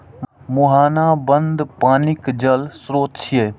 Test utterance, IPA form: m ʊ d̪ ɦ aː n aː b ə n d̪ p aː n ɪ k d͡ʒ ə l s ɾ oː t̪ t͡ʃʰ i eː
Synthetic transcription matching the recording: m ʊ ɦ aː n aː b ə n d̪ p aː n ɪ k d͡ʒ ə l s ɾ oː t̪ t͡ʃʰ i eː